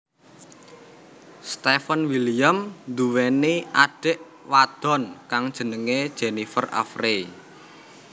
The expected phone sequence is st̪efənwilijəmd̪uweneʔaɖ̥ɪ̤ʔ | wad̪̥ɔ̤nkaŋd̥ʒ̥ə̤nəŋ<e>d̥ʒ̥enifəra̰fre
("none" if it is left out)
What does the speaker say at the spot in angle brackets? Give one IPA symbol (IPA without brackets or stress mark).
e